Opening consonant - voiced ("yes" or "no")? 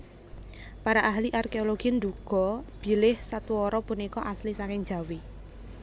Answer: no